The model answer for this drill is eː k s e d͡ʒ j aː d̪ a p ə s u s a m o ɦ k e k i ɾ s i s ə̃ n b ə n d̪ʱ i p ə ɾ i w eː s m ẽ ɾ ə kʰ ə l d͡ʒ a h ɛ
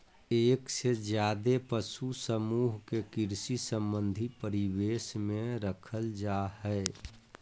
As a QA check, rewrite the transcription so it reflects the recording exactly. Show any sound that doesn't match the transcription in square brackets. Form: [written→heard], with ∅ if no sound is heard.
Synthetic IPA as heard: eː k s e d͡ʒ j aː d̪ [a→e] p ə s u s [a→ə] m [o→u] ɦ k e k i ɾ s i s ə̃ [n→m] b ə n d̪ʱ i p ə ɾ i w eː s m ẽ ɾ ə kʰ ə l d͡ʒ a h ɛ